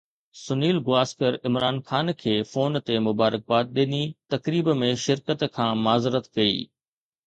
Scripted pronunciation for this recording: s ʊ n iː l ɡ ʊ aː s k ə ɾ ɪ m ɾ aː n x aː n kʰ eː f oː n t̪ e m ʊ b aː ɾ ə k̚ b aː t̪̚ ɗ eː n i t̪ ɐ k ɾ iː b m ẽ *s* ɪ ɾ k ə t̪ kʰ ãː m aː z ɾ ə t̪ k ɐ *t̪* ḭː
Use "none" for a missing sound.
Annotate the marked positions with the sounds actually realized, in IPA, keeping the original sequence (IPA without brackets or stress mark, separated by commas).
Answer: ʃ, none